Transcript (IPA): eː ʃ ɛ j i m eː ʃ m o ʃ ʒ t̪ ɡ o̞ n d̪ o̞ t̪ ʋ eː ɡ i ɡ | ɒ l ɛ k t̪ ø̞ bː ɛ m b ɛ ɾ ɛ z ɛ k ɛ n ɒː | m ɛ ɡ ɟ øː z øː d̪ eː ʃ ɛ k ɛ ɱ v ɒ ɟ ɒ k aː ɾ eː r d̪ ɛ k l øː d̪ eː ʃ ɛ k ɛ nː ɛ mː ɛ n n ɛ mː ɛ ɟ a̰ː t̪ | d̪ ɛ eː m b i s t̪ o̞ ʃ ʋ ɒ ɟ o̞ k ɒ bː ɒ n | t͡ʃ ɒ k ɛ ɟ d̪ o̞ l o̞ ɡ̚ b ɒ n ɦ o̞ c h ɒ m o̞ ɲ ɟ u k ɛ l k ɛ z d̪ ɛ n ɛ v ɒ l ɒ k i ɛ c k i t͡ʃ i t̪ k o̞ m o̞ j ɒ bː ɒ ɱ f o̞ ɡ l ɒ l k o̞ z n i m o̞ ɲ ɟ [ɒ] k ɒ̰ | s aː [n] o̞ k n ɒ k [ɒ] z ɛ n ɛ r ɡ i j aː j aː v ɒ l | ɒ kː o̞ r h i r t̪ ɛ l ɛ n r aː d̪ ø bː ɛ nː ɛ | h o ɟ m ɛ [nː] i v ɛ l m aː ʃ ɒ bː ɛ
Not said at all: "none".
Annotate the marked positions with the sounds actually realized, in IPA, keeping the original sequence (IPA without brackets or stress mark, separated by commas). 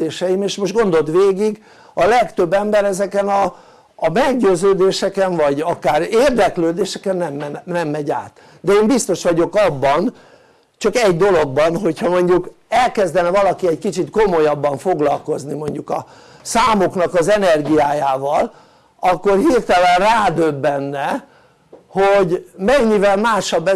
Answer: u, m, ɒ, ɲː